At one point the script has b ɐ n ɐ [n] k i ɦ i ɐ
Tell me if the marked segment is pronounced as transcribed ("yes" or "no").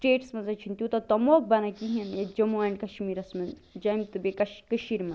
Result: no